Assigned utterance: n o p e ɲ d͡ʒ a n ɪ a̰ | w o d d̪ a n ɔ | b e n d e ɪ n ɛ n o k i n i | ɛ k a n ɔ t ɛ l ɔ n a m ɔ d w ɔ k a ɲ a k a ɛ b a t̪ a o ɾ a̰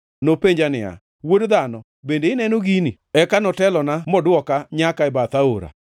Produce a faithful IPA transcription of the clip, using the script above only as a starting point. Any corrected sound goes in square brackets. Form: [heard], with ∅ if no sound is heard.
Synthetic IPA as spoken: n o p e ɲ d͡ʒ a n ɪ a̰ | w o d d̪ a n ɔ | b e n d e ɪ n ɛ n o [ɡ] i n i | ɛ k a n ɔ t ɛ l ɔ n a m ɔ d w ɔ k a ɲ a k a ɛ b a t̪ a o ɾ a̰